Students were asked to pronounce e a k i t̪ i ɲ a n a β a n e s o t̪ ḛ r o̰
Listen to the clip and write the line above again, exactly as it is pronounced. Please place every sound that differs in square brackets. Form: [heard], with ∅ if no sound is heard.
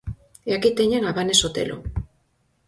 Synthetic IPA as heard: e a k i t̪ [e] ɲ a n a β a n e s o t̪ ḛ [l] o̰

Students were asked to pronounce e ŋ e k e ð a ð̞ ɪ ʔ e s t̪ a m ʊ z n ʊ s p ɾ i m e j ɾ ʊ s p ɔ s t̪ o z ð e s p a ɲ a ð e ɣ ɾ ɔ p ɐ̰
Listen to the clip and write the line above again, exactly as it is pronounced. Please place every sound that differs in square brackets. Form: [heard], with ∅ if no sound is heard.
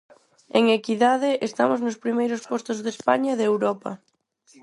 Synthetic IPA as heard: e ŋ e k [i] ð a ð̞ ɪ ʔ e s t̪ a m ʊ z n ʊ s p ɾ i m e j ɾ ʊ s p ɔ s t̪ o z ð e s p a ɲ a ð e [w] ɾ ɔ p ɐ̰

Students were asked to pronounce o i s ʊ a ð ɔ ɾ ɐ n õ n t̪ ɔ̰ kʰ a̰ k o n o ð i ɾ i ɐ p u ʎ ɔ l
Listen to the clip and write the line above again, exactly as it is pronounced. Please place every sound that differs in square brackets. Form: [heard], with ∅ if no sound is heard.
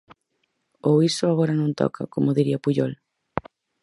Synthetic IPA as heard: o i s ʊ a [ɣ] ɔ ɾ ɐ n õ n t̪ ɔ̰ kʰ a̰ k o [m] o ð i ɾ i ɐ p u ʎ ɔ l

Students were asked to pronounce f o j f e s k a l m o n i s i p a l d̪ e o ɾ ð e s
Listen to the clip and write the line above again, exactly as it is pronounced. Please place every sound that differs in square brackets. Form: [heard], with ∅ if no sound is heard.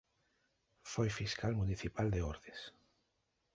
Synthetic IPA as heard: f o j f [i] s k a l m [u] n i [θ] i p a l d̪ e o ɾ ð e s

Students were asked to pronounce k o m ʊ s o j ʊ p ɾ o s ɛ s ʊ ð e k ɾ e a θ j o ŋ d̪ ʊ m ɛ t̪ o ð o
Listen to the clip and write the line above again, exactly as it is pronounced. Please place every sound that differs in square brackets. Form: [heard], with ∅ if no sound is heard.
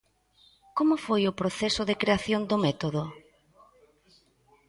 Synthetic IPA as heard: k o m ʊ [f] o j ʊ p ɾ o [θ] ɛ s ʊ ð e k ɾ e a θ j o [n] d̪ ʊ m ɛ t̪ o ð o

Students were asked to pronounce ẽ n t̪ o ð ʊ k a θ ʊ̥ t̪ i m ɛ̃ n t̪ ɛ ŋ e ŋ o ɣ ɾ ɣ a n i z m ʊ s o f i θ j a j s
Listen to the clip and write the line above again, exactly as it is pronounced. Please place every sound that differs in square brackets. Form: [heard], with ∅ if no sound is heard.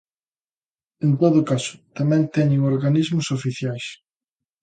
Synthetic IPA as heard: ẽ n t̪ o ð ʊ k a [s] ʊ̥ t̪ [a] m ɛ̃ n t̪ ɛ [ɲ] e ŋ o [∅] ɾ ɣ a n i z m ʊ s o f i θ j a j s

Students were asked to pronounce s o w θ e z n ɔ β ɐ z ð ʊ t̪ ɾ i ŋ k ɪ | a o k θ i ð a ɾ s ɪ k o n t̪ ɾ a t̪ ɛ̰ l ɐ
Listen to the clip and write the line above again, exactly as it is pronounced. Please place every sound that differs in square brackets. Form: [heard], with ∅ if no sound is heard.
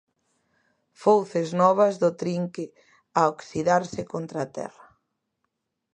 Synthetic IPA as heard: [f] o w θ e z n ɔ β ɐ z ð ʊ t̪ ɾ i ŋ k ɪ | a o k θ i ð a ɾ s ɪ k o n t̪ ɾ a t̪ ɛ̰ [r] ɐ

